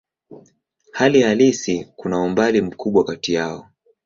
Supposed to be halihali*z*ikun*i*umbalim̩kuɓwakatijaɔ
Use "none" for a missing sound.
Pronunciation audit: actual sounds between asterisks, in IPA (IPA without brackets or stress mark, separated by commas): s, a